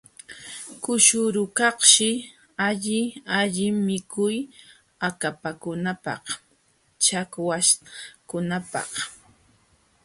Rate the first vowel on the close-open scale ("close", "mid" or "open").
close